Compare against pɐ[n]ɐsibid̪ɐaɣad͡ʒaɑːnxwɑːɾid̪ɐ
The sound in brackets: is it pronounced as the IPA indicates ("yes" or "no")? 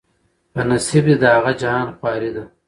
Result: yes